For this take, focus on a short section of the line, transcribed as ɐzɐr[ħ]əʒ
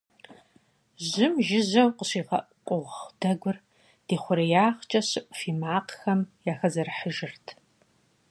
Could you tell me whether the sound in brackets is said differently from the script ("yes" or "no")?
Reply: no